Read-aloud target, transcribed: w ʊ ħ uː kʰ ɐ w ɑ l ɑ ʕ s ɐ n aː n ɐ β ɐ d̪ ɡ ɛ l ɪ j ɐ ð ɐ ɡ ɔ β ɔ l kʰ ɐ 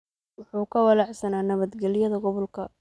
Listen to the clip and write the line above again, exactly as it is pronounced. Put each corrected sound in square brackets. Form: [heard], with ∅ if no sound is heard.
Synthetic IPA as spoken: w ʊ ħ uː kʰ ɐ w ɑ l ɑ ʕ s ɐ n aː n ɐ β ɐ d̪ ɡ ɛ l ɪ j ɐ ð ɐ ɡ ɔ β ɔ l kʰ ɐ